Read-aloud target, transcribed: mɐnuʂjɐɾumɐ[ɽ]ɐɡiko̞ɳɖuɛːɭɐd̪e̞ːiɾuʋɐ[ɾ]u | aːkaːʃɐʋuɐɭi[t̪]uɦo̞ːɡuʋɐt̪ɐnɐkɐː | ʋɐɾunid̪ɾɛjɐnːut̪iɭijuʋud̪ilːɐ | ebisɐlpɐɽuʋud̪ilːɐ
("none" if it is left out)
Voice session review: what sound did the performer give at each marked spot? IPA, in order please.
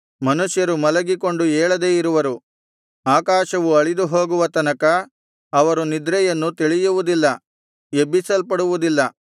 l, ɾ, d̪

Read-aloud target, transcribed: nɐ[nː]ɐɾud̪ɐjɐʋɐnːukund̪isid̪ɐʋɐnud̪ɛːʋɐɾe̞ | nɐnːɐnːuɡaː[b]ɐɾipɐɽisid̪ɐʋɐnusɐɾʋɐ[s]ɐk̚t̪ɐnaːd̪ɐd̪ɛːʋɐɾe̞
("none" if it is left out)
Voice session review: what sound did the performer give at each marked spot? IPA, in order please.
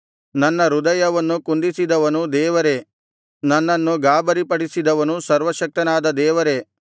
nː, b, ʃ

